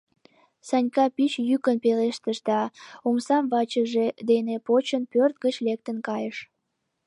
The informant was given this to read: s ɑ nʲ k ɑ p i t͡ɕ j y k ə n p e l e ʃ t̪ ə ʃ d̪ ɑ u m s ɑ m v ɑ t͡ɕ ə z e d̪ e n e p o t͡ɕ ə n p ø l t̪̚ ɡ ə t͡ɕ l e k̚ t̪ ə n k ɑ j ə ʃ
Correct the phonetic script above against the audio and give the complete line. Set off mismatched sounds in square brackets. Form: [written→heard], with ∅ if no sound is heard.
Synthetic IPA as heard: s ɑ nʲ k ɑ p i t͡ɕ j y k ə n p e l e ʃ t̪ ə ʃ d̪ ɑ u m s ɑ m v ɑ t͡ɕ ə [z→ʒ] e d̪ e n e p o t͡ɕ ə n p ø [l→r] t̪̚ ɡ ə t͡ɕ l e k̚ t̪ ə n k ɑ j ə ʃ

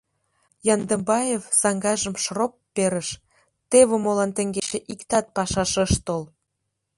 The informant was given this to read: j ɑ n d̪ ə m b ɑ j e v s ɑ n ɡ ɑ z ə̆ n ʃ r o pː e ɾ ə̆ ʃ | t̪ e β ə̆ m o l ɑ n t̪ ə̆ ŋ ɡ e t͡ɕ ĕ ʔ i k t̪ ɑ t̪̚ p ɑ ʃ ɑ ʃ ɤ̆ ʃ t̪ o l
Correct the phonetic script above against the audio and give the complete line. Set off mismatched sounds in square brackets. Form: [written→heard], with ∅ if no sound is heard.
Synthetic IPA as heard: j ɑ n d̪ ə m b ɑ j e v s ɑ [n→ŋ] ɡ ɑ [z→ʒ] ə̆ [n→m] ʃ r o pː e ɾ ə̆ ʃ | t̪ e β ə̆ m o l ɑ n t̪ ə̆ ŋ ɡ e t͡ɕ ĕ ʔ i k t̪ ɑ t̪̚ p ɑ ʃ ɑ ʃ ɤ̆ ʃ t̪ o l

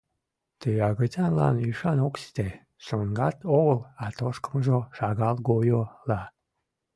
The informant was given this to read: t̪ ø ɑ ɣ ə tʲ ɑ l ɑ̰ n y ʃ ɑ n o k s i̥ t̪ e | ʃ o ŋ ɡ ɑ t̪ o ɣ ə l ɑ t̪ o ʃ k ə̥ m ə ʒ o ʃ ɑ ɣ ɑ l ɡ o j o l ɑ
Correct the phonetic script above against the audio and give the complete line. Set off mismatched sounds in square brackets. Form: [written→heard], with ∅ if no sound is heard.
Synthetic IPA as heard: t̪ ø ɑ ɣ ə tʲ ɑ l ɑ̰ n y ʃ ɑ n o k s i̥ t̪ e | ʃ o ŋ ɡ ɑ t̪ o ɣ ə l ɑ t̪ o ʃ k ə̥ m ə ʒ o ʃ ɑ ɣ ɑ l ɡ o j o l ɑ

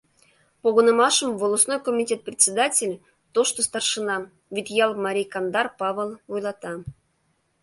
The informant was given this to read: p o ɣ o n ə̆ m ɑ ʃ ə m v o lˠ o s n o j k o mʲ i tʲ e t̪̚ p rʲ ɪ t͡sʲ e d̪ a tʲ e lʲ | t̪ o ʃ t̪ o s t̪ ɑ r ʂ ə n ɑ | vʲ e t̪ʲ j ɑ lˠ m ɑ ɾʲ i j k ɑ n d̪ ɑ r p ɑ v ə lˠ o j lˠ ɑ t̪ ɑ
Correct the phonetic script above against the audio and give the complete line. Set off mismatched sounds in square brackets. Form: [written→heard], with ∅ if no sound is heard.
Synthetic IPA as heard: p o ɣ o n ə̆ m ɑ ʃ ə m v o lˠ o s n o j k o mʲ i tʲ e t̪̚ p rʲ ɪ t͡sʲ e d̪ a tʲ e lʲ | t̪ o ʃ t̪ o s t̪ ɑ r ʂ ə n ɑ | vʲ [e→i] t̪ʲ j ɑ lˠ m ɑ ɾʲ i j k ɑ n d̪ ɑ r p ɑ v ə lˠ o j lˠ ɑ t̪ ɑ

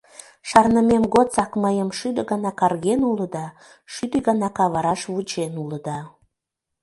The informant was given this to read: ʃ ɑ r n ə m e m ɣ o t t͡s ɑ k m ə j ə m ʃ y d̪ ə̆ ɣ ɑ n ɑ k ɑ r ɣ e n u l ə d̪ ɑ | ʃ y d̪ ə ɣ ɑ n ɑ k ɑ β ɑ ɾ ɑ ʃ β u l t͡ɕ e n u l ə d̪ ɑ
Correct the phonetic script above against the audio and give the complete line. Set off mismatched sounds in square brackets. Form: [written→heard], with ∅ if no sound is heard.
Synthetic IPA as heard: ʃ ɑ r n ə m e m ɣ o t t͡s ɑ k m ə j ə m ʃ y d̪ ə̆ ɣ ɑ n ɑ k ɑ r ɣ e n u l ə d̪ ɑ | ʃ y d̪ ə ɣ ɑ n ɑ k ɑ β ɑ ɾ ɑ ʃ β u [l→∅] t͡ɕ e n u l ə d̪ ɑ

